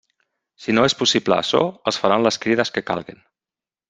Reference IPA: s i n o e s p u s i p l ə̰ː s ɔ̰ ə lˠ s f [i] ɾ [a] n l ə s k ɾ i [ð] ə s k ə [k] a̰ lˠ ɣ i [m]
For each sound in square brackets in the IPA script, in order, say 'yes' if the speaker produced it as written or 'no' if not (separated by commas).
no, yes, yes, yes, no